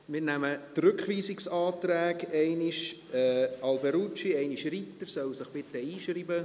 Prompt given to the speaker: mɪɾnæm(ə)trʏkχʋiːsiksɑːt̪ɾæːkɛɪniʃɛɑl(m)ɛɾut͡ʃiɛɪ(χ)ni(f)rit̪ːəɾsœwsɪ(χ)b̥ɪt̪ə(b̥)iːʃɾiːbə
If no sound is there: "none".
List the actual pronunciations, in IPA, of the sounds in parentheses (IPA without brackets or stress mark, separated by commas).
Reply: ə, b, none, ʃ, χ, none